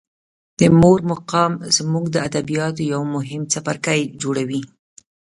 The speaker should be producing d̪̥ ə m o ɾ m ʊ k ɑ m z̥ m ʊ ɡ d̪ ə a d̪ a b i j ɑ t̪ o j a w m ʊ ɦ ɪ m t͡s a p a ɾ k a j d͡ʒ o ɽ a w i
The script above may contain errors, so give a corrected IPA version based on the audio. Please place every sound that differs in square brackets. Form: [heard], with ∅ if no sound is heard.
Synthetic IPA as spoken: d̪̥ ə m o ɾ m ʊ [q] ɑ m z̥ m [u] ɡ d̪ ə a d̪ a b i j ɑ t̪ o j a w m ʊ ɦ ɪ m t͡s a p a ɾ k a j d͡ʒ o ɽ a w i